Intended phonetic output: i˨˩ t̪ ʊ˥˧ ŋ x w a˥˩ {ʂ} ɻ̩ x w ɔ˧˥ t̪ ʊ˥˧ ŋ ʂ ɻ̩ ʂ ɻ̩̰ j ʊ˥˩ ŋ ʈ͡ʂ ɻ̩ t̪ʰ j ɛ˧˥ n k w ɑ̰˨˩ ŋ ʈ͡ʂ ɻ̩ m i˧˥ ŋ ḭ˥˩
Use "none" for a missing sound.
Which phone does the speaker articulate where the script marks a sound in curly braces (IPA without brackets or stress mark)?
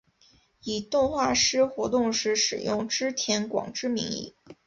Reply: ʂ